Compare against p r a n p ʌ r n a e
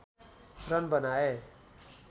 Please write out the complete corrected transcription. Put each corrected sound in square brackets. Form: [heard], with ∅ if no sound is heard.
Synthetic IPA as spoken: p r [ʌ] n [b] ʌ [∅] n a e